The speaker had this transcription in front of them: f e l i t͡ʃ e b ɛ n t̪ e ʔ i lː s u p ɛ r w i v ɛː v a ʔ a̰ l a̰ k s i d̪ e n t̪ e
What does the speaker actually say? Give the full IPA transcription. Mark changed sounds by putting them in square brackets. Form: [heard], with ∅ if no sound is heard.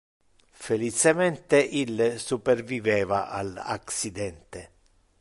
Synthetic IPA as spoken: f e l i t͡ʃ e [m] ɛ n t̪ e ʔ i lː s u p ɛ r [v] i v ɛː v a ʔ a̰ l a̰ k s i d̪ [ɛ] n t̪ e